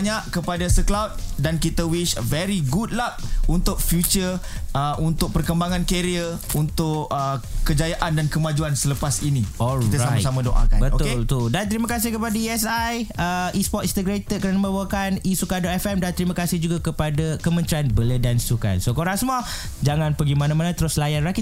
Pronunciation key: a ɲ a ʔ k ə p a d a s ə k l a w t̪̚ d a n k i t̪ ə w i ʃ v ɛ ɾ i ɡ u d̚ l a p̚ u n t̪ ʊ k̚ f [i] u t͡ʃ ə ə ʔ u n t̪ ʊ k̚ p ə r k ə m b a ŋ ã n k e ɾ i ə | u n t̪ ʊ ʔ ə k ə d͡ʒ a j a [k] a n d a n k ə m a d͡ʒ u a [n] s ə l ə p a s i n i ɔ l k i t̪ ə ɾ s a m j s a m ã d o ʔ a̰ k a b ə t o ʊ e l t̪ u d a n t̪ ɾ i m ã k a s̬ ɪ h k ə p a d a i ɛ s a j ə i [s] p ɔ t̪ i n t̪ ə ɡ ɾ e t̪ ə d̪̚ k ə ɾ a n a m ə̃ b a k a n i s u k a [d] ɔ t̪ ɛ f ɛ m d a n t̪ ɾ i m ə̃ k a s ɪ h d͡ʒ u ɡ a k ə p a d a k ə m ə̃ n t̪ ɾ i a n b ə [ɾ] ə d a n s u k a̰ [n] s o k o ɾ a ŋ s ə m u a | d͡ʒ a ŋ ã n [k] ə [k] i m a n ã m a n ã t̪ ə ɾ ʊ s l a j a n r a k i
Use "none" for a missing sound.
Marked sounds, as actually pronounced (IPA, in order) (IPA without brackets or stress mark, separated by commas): j, ʔ, n, s, d, l, n, p, ɡ